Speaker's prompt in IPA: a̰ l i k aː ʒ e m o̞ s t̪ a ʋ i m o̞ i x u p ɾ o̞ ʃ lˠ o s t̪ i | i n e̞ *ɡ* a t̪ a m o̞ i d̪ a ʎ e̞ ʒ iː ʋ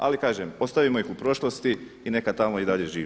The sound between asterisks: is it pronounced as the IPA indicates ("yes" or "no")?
no